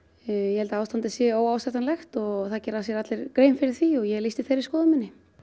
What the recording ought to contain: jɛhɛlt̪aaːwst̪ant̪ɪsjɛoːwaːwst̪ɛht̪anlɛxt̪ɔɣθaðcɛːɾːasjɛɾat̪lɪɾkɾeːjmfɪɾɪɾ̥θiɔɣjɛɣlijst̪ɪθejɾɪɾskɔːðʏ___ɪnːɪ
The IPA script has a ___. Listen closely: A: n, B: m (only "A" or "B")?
B